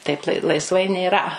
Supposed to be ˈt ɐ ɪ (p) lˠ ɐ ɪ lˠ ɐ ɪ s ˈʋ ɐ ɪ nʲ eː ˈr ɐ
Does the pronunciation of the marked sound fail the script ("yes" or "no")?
no